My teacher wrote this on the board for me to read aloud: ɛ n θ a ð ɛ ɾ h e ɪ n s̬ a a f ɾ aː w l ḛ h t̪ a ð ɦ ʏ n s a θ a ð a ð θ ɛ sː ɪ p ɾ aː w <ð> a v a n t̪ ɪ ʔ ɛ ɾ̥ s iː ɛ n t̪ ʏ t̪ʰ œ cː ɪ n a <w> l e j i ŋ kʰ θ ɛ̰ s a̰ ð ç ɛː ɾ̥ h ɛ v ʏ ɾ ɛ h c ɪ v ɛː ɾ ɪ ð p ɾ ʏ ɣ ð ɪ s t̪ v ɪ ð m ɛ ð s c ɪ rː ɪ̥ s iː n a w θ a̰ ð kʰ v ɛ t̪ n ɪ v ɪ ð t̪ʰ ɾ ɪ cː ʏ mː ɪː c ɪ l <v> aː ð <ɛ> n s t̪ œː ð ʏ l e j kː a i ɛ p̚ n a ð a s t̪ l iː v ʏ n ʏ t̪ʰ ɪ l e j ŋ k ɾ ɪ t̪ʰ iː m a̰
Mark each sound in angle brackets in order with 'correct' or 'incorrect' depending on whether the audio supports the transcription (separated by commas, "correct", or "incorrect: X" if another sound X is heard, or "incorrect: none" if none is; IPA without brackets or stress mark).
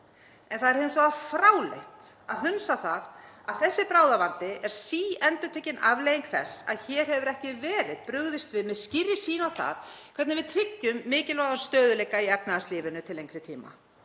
correct, incorrect: v, correct, incorrect: a